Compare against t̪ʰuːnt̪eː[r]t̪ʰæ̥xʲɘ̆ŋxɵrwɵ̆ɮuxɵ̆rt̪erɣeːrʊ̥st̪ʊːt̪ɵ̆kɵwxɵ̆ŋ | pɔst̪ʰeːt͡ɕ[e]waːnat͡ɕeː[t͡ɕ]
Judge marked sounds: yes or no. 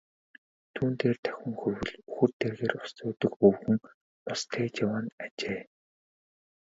yes, no, no

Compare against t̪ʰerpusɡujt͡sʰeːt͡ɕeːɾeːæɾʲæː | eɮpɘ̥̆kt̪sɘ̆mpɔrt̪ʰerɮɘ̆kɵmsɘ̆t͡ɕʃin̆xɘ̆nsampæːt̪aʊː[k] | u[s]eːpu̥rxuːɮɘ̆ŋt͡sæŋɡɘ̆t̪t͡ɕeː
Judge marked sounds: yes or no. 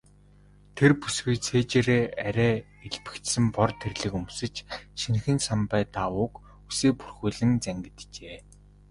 yes, yes

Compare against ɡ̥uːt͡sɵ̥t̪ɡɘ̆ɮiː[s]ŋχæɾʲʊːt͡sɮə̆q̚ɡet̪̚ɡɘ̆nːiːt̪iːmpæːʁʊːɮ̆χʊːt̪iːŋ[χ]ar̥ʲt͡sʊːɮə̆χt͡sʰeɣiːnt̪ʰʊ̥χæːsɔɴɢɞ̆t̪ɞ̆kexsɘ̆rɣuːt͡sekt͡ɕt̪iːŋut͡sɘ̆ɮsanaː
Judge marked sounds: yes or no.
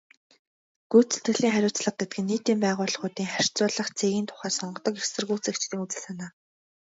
no, yes

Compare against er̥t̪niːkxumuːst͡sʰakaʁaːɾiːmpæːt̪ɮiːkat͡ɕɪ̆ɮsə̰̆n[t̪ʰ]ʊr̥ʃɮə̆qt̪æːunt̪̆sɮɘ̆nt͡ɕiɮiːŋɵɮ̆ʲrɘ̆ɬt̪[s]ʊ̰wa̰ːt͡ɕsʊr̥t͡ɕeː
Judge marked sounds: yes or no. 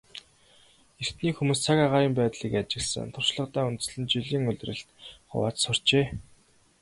yes, no

